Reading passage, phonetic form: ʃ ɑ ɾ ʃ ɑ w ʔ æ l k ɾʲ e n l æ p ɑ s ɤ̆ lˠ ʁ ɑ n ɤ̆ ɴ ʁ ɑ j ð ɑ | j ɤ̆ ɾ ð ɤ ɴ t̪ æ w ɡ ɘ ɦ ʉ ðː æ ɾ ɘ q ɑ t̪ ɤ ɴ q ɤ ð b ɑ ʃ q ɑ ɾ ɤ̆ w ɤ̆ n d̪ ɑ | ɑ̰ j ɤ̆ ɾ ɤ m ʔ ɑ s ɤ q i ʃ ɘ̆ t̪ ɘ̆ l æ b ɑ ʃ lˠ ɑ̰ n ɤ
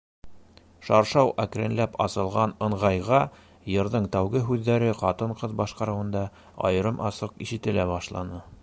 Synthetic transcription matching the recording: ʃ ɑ ɾ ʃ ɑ w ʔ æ k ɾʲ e n l æ p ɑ s ɤ̆ lˠ ʁ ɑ n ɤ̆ ɴ ʁ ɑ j ʁ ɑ | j ɤ̆ ɾ ð ɤ ɴ t̪ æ w ɡ ɘ ɦ ʉ ðː æ ɾ ɘ q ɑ t̪ ɤ ɴ q ɤ ð b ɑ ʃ q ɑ ɾ ɤ̆ w ɤ̆ n d̪ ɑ | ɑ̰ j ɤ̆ ɾ ɤ m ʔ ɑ s ɤ q i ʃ ɘ̆ t̪ ɘ̆ l æ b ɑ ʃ lˠ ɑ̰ n ɤ